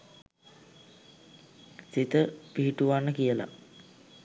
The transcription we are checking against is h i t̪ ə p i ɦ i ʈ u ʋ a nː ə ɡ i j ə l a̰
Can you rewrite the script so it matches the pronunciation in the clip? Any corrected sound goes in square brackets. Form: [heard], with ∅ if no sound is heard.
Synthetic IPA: [s] i t̪ ə p i ɦ i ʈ u ʋ a nː ə [k] i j ə l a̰